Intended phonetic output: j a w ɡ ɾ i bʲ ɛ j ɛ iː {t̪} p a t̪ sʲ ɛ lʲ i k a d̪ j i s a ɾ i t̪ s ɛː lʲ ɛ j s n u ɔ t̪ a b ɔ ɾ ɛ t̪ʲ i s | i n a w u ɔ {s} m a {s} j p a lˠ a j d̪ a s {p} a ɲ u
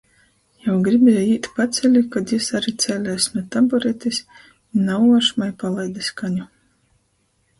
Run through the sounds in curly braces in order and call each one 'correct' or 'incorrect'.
correct, incorrect: ʃ, incorrect: none, incorrect: k

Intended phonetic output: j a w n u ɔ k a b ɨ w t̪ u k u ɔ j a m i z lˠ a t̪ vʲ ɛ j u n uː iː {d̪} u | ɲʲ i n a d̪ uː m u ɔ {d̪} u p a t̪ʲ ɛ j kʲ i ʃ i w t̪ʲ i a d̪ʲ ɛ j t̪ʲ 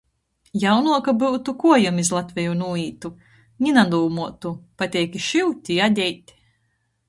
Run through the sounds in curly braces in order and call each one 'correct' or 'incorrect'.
incorrect: t̪, incorrect: t̪

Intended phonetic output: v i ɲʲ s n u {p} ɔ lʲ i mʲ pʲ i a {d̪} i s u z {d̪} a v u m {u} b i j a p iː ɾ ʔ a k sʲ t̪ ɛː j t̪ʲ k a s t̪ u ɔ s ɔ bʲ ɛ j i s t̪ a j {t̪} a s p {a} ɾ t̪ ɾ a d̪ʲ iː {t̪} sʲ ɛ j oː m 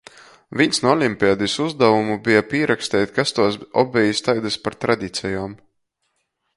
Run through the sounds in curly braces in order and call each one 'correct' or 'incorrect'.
incorrect: none, correct, correct, correct, incorrect: d̪, correct, correct

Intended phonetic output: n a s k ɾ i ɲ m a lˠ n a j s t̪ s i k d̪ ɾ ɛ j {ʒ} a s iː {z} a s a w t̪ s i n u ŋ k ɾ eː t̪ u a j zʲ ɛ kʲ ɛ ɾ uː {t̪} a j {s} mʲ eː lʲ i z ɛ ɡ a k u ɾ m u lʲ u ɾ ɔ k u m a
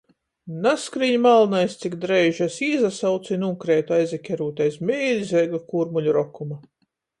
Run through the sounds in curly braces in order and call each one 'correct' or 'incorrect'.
correct, correct, correct, correct

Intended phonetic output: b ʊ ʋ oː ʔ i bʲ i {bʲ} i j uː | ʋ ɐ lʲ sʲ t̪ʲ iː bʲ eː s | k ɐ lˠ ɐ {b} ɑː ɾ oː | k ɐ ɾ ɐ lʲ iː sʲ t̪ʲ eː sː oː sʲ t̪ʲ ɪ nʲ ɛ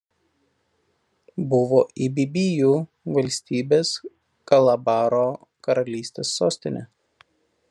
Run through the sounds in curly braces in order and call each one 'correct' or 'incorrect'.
correct, correct

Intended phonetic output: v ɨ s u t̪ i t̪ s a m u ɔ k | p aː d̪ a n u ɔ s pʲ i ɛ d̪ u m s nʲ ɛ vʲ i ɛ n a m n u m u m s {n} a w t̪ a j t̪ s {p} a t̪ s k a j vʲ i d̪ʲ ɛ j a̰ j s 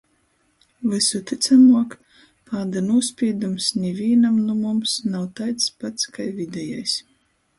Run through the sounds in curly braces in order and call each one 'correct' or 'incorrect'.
correct, correct

